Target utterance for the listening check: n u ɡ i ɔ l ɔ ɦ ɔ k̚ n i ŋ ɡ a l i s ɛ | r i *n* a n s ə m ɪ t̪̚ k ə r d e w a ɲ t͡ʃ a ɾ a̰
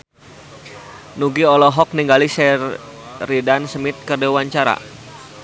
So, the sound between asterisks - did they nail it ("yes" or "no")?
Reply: no